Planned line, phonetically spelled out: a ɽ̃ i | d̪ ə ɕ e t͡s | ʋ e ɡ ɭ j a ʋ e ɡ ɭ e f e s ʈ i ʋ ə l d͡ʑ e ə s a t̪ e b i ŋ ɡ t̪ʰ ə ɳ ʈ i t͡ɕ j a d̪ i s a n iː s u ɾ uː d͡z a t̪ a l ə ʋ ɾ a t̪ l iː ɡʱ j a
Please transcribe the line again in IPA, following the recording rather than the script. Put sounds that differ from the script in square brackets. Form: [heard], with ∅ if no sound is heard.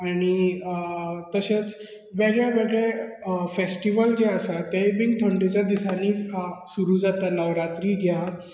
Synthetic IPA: a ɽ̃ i | [t̪] ə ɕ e t͡s | ʋ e ɡ ɭ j a ʋ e ɡ ɭ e f e s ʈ i ʋ ə l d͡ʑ e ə s a t̪ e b i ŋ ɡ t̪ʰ ə ɳ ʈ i t͡ɕ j a d̪ i s a n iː s u ɾ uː d͡z a t̪ a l ə ʋ ɾ a t̪ [ɾ] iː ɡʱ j a